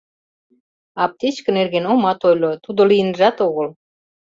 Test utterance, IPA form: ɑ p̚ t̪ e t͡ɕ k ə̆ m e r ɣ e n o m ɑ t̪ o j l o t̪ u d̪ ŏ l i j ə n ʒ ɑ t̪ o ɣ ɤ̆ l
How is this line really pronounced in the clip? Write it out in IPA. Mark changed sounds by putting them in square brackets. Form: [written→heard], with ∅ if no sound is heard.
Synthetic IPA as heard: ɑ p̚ t̪ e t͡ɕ k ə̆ [m→n] e r ɣ e n o m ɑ t̪ o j l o t̪ u d̪ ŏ l i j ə n ʒ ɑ t̪ o ɣ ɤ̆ l